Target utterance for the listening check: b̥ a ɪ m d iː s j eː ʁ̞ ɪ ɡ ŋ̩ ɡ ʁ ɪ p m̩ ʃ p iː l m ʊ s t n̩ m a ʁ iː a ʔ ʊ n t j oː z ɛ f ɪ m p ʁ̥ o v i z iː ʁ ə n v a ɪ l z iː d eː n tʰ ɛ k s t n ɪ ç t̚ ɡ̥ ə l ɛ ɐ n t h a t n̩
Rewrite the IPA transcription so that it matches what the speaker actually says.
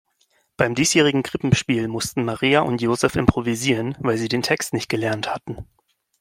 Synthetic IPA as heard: b̥ a ɪ m d iː s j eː ʁ̞ ɪ ɡ ŋ̩ ɡ ʁ ɪ p m̩ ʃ p iː l m ʊ s t n̩ m a ʁ iː a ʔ ʊ n t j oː z ɛ f ɪ m p ʁ̥ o v i z iː ʁ ə n v a ɪ l z iː d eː n tʰ ɛ k s t n ɪ ç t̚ ɡ̥ ə l ɛ ɐ n t h a t n̩